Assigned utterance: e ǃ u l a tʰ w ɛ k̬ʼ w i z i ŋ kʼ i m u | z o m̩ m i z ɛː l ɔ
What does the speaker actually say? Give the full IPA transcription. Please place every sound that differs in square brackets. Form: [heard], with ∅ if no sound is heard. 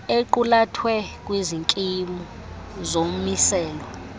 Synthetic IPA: e ǃ u l a tʰ w ɛ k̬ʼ w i z i ŋ kʼ i m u | z o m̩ m i [s] ɛː l ɔ